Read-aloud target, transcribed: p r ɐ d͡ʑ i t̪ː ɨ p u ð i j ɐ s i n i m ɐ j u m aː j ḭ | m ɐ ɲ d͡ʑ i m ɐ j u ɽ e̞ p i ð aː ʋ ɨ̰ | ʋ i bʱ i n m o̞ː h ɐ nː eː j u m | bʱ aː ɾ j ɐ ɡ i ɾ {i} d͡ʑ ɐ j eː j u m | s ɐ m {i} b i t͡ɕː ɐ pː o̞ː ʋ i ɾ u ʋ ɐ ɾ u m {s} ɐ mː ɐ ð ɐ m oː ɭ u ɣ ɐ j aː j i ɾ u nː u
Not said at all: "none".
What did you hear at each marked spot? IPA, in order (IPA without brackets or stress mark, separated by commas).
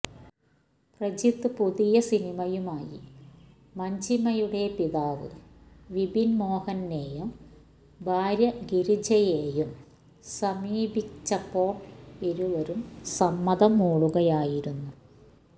i, iː, s